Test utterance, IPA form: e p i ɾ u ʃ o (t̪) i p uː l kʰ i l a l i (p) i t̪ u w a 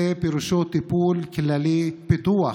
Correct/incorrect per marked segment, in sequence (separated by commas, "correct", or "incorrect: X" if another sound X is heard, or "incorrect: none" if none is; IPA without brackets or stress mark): correct, correct